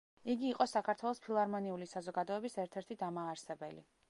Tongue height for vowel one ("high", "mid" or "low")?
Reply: high